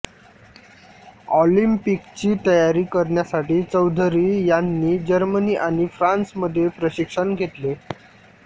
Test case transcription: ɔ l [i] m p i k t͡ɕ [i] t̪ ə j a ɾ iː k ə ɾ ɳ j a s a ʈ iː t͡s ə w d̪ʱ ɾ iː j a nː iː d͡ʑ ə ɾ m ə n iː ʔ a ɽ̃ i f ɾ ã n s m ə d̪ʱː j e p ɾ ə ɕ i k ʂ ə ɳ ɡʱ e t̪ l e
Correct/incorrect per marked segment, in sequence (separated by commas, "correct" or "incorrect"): correct, incorrect